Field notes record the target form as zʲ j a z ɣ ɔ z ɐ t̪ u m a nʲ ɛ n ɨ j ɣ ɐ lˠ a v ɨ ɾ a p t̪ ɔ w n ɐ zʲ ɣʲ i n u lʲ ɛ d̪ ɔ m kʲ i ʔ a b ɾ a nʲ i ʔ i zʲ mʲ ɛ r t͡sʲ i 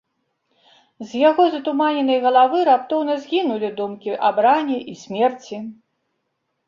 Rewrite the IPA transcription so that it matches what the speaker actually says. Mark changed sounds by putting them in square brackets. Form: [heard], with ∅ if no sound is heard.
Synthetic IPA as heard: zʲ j a [∅] ɣ ɔ z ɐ t̪ u m a nʲ ɛ n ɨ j ɣ ɐ lˠ a v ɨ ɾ a p t̪ ɔ w n ɐ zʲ ɣʲ i n u lʲ [i] d̪ [u] m kʲ i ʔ a b ɾ a nʲ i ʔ i [sʲ] mʲ ɛ r t͡sʲ i